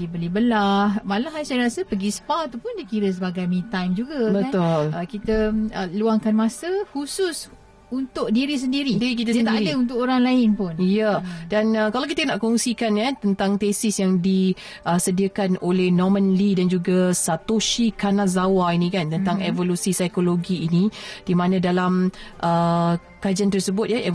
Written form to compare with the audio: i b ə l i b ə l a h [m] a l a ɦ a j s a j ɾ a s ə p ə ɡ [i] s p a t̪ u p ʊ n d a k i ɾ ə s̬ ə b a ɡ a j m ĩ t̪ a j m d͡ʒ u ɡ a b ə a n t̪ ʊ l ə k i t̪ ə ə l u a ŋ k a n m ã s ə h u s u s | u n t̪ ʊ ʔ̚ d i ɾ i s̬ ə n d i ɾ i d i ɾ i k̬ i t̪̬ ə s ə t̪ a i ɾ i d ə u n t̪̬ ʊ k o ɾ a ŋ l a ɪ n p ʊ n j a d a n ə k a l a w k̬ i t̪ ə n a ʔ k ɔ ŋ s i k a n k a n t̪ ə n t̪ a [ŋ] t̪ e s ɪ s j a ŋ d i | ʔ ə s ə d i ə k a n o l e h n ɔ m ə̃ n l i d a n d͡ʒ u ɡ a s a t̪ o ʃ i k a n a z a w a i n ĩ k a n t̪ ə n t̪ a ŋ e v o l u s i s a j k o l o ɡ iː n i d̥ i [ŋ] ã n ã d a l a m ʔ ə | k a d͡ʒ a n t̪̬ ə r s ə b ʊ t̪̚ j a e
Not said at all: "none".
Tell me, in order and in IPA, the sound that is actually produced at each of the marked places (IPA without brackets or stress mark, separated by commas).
m, i, ŋ, m